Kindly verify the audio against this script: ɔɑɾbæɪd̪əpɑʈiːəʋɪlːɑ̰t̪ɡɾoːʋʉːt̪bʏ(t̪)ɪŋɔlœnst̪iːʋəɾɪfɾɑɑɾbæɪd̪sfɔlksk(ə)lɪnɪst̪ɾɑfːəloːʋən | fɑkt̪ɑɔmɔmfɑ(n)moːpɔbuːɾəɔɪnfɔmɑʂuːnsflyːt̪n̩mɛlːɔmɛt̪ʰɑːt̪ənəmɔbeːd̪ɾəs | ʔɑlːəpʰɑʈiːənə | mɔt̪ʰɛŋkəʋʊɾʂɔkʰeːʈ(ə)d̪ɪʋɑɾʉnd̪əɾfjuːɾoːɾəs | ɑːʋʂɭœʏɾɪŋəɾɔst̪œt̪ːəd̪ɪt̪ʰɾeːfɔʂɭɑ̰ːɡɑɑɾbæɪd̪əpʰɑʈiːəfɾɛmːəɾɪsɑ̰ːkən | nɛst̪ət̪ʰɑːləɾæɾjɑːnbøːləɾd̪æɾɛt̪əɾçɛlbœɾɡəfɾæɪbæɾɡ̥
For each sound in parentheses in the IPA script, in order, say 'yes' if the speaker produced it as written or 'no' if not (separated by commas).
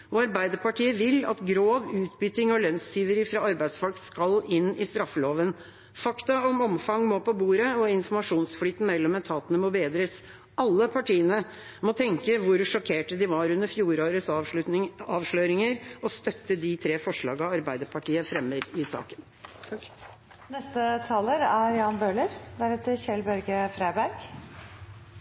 yes, no, no, yes